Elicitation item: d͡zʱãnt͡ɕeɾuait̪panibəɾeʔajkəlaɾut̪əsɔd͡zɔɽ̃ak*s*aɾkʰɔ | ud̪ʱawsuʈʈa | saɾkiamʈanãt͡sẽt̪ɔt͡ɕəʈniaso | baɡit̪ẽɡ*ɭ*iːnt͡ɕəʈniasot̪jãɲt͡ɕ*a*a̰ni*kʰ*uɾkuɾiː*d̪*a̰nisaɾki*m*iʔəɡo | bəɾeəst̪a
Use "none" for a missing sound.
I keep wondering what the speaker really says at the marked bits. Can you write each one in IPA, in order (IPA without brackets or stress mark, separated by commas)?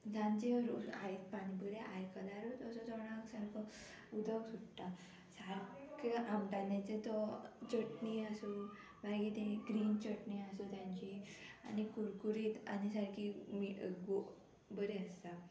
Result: s, ɾ, i, k, t̪, m